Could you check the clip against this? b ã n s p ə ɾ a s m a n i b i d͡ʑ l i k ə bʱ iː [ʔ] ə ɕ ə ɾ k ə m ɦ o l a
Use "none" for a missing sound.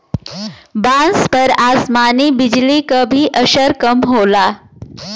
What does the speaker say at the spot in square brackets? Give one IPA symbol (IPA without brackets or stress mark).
ʔ